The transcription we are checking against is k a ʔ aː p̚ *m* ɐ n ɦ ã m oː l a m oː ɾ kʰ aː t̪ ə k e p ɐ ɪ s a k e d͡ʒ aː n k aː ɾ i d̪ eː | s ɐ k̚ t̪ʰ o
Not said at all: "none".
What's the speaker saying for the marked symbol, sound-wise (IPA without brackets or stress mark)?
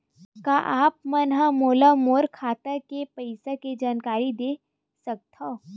m